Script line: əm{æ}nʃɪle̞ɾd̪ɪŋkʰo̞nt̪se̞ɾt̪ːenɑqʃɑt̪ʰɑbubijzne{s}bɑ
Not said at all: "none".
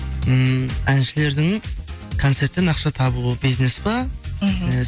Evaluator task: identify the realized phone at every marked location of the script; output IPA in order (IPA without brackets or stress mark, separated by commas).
æ, s